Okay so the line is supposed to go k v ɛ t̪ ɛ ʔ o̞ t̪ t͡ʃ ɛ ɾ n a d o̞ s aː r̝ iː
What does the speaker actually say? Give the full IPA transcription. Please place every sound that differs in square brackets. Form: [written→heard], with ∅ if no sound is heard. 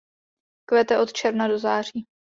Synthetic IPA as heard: k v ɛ t̪ ɛ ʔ o̞ t̪ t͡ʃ ɛ ɾ n a d o̞ [s→z] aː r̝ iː